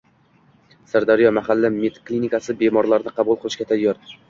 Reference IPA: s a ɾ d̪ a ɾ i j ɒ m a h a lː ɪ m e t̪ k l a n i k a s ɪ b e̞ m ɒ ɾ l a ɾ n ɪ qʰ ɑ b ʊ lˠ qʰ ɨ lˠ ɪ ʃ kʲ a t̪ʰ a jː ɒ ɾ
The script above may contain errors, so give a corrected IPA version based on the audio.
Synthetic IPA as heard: s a ɾ d̪ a ɾ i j ɒ m a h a lː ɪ m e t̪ k l i n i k a s ɪ b e̞ m ɒ ɾ l a ɾ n ɪ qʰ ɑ b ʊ lˠ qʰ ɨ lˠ ɪ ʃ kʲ a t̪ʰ a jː ɒ ɾ